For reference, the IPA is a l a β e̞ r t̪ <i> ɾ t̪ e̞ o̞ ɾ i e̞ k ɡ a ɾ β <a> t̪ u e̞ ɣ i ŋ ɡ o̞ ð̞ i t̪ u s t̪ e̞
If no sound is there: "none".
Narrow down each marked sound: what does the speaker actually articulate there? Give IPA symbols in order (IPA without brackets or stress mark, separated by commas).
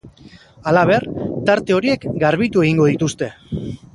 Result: a, i